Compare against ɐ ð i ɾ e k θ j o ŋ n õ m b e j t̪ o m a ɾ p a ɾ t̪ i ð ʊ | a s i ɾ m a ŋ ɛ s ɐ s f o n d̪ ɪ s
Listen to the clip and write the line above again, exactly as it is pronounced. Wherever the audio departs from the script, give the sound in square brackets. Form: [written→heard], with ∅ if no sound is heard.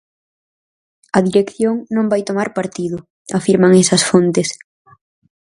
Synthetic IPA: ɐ ð i ɾ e k θ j o ŋ n õ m b [e→a] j t̪ o m a ɾ p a ɾ t̪ i ð ʊ | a [s→f] i ɾ m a ŋ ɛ s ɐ s f o n [d̪→t̪] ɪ s